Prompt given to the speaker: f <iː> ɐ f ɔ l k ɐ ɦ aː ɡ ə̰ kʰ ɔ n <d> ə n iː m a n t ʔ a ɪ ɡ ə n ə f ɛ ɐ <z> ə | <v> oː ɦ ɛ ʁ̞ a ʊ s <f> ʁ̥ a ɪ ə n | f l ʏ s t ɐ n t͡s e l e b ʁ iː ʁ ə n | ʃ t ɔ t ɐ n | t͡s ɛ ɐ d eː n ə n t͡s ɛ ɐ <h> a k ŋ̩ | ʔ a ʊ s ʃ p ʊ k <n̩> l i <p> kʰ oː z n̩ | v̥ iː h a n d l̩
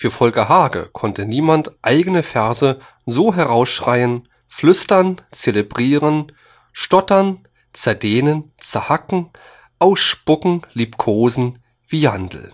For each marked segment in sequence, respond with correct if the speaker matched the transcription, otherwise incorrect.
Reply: incorrect: yː, incorrect: t, correct, incorrect: z, incorrect: ʃ, correct, incorrect: ŋ̩, correct

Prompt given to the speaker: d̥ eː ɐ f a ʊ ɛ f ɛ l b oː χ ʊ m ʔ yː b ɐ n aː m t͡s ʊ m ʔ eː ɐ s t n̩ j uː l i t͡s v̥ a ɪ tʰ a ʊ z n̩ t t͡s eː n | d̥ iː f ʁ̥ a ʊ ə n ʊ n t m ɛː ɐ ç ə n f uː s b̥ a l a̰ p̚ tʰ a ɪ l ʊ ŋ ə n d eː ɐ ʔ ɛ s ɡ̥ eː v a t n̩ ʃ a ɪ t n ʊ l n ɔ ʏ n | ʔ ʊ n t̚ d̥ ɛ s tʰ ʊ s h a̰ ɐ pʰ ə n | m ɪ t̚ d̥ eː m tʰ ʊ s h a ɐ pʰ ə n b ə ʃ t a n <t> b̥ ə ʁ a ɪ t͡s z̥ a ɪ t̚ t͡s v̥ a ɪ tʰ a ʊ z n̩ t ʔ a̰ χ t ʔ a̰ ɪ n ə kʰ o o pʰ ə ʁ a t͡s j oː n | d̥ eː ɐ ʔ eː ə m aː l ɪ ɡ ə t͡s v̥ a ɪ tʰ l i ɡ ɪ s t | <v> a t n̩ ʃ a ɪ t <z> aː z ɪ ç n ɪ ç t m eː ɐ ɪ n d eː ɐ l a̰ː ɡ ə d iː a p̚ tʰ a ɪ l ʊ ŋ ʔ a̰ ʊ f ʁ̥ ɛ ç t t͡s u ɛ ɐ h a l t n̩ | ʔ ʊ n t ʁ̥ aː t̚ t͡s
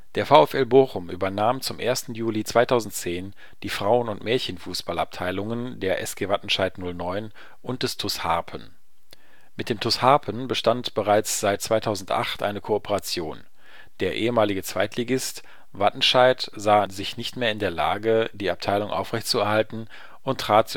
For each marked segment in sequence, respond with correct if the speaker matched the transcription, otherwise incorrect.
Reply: correct, correct, correct

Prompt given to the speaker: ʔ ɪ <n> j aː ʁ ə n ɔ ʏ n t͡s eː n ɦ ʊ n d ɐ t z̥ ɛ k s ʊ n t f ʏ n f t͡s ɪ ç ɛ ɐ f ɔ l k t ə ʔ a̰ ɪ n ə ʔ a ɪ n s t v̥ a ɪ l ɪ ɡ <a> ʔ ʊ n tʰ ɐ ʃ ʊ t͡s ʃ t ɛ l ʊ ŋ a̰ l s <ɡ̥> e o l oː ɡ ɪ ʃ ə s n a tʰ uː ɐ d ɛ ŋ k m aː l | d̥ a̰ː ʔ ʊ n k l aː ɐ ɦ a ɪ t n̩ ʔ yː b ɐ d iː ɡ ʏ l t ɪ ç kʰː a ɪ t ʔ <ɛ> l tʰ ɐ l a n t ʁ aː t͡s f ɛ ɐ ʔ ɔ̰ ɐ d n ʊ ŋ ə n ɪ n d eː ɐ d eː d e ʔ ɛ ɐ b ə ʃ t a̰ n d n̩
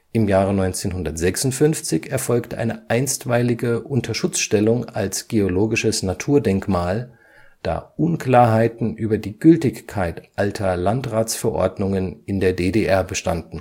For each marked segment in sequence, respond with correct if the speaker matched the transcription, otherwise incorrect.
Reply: incorrect: m, incorrect: ə, correct, incorrect: a

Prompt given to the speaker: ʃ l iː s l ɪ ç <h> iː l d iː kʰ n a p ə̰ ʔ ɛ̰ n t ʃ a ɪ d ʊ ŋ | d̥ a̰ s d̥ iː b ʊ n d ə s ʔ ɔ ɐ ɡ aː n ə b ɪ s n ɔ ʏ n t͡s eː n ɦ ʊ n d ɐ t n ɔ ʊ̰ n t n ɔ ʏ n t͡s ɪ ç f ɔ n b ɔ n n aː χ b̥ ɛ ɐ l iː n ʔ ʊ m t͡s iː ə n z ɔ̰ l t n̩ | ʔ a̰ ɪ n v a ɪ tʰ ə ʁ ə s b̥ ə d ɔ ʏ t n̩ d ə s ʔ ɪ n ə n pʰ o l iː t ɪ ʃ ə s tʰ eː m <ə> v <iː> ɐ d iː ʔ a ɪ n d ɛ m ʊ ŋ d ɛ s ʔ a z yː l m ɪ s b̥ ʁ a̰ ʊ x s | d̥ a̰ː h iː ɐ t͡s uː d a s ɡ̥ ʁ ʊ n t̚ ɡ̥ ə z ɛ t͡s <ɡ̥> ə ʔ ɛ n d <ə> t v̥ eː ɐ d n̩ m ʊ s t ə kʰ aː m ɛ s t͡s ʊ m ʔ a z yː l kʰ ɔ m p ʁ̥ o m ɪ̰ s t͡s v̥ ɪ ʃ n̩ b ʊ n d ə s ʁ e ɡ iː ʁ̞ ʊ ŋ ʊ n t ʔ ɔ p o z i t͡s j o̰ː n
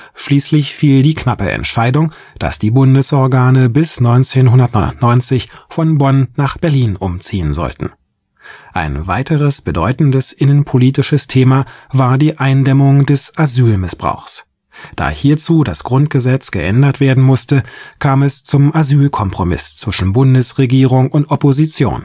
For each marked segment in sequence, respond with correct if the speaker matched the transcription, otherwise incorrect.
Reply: incorrect: f, incorrect: a, incorrect: aː, correct, incorrect: ɐ

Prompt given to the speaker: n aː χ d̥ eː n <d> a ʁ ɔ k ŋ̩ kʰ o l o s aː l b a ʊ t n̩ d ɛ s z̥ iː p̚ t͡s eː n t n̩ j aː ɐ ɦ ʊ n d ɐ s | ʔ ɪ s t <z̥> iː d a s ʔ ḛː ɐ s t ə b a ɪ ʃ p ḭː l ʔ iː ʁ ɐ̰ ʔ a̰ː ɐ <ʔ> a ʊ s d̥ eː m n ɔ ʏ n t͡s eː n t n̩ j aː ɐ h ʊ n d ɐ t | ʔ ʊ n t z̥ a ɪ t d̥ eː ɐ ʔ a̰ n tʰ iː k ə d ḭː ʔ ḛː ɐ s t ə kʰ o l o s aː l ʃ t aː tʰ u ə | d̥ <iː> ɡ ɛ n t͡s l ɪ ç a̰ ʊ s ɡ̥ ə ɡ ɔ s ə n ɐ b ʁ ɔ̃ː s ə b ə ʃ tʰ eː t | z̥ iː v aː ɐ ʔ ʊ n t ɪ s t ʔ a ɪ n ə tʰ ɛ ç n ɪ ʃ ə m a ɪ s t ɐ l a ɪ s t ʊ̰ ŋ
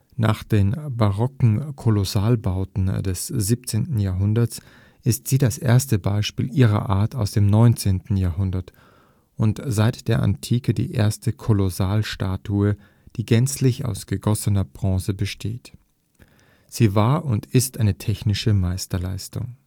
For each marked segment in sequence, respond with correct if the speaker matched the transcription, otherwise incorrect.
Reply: incorrect: b, correct, incorrect: t, correct

